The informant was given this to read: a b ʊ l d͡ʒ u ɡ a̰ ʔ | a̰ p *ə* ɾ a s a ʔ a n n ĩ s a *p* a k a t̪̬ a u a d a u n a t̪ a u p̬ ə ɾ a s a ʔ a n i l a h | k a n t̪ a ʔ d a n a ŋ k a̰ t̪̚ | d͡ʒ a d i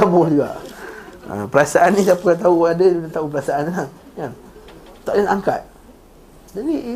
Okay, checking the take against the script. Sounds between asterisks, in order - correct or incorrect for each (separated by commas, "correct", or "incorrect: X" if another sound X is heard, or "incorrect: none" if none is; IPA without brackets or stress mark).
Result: correct, correct